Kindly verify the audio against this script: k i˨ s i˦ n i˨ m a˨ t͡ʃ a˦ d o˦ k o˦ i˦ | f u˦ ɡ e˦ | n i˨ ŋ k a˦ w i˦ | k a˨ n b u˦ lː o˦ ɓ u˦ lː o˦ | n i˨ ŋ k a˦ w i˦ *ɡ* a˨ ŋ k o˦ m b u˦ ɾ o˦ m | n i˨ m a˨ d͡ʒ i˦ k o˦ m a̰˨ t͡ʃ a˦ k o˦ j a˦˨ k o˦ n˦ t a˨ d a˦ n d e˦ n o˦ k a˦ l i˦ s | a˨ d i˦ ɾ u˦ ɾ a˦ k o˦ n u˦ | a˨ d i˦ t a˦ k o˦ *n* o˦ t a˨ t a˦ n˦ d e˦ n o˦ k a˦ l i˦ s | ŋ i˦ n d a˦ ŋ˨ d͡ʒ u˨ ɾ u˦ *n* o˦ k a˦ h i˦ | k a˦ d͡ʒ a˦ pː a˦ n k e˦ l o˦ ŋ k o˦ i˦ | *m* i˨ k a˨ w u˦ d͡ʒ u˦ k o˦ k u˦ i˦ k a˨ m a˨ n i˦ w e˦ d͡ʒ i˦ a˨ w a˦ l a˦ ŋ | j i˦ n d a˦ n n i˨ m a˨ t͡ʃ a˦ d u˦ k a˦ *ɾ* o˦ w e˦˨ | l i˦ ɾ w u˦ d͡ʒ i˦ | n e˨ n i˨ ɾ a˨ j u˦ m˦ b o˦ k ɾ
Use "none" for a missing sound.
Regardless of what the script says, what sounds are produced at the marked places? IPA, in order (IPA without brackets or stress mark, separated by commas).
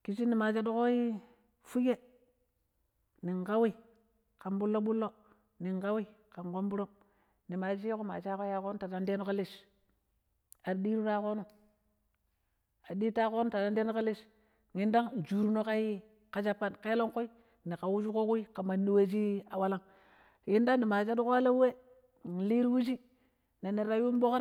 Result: k, n, n, n, l